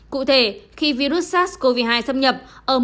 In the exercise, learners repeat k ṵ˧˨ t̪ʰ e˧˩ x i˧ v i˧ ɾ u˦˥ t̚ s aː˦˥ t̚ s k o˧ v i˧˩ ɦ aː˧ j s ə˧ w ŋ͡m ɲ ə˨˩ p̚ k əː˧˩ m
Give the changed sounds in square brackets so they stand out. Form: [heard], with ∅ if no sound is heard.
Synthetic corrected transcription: k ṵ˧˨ t̪ʰ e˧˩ x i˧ v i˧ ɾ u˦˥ t̚ s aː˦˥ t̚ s k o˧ v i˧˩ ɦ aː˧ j s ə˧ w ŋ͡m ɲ ə˨˩ p̚ [ʔ] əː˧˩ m